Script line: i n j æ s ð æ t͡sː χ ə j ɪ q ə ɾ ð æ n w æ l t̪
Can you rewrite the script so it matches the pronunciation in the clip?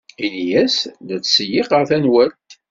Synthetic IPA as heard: i n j æ s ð æ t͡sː s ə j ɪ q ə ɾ θ æ n w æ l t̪